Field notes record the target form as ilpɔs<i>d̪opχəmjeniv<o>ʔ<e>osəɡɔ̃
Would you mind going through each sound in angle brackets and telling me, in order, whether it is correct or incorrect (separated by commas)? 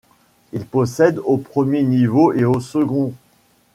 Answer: incorrect, correct, correct